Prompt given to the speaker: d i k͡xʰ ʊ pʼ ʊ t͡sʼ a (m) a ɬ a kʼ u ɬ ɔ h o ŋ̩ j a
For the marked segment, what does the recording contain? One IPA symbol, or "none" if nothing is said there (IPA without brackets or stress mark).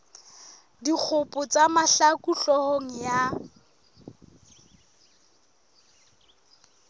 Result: m